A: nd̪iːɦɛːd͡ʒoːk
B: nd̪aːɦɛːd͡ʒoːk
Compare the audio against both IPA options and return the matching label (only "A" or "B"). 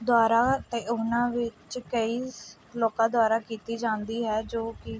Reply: A